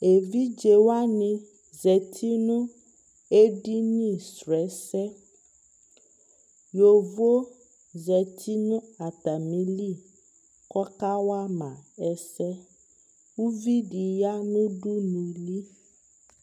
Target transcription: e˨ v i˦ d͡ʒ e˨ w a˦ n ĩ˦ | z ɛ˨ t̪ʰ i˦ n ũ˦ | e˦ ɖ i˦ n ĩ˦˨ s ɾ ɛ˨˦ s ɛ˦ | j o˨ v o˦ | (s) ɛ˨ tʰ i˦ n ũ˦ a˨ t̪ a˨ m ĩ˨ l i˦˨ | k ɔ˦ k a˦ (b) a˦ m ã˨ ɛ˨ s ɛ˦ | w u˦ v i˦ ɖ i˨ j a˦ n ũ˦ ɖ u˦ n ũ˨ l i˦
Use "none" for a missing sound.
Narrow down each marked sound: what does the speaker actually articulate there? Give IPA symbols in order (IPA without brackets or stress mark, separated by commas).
z, w